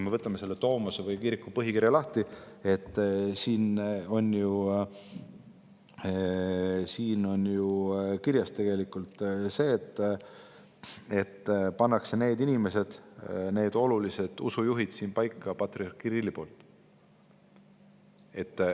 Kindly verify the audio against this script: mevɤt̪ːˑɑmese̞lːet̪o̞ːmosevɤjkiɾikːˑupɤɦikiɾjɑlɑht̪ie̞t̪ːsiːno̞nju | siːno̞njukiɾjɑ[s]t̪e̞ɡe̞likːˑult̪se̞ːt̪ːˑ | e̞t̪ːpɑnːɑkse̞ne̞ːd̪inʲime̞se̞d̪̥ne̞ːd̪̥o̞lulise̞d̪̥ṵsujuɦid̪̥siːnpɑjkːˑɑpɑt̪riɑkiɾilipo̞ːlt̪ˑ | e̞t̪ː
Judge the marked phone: correct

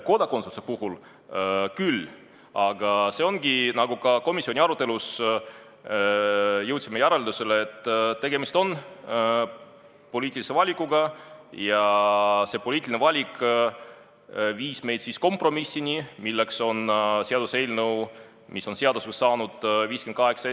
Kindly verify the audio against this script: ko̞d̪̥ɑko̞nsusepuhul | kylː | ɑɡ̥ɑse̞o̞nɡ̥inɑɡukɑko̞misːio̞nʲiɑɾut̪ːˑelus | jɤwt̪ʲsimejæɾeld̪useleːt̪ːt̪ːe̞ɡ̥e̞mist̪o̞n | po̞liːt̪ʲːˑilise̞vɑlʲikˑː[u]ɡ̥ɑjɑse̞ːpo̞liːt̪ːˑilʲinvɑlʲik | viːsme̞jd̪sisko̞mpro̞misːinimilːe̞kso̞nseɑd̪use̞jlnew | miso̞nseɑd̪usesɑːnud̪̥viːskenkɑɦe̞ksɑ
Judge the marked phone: correct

